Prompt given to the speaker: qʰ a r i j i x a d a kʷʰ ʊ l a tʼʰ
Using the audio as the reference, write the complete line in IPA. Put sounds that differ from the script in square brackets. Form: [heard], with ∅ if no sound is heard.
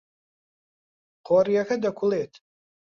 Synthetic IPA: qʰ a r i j [a] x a d a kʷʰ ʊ l [e] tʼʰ

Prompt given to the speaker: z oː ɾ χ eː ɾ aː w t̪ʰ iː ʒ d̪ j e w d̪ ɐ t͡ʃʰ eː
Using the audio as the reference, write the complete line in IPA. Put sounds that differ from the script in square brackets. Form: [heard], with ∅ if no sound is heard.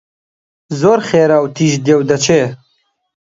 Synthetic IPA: z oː ɾ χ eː ɾ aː w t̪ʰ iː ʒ d̪ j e w d̪ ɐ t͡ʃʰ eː

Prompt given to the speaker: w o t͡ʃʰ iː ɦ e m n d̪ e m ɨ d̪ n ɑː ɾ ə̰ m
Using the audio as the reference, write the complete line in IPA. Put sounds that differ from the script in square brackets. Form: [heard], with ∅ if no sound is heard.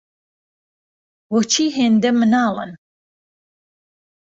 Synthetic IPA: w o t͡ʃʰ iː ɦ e [∅] n d̪ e m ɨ [∅] n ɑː [l] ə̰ [n]

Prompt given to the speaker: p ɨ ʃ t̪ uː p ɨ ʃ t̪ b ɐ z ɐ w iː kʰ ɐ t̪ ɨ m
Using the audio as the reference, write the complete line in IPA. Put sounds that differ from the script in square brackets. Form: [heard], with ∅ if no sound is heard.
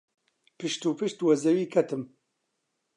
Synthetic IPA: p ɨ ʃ t̪ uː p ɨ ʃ t̪ [w] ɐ z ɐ w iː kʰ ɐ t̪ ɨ m

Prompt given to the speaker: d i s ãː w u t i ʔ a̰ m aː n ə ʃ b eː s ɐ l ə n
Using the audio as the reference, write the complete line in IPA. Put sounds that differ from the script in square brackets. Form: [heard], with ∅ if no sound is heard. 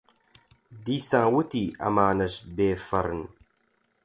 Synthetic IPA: d i s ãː w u t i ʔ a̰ m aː n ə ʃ b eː [f] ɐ [ɾ] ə n

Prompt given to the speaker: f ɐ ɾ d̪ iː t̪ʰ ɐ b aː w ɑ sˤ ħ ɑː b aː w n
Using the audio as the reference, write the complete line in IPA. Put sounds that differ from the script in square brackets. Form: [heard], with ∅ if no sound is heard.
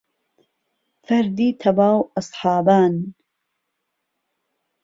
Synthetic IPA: f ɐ ɾ d̪ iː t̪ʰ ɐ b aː w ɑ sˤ ħ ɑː b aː [∅] n

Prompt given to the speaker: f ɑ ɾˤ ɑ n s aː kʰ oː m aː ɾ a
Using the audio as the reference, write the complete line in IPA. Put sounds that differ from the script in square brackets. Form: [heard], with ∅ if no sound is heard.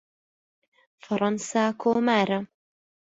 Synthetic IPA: f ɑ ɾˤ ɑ n s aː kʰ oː m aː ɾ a

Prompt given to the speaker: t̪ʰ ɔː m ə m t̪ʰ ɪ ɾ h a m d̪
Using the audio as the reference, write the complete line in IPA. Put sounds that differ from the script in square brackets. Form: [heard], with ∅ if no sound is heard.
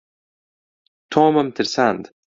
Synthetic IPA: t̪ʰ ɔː m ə m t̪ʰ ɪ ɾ [s] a [n] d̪

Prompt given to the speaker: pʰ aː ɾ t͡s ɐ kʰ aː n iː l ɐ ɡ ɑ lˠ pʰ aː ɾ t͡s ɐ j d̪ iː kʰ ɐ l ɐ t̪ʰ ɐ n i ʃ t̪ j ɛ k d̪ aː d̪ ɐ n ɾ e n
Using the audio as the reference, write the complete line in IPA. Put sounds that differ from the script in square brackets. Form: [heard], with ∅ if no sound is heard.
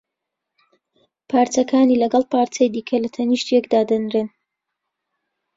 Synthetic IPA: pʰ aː ɾ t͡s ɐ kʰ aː n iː l ɐ ɡ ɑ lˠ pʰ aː ɾ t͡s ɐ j d̪ iː kʰ ɐ l ɐ t̪ʰ ɐ n i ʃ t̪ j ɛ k d̪ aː d̪ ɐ n ɾ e n

